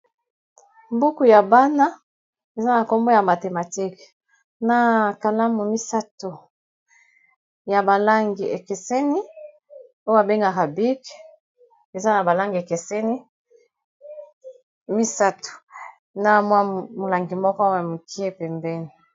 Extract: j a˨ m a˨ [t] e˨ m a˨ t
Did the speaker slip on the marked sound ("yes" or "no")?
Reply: no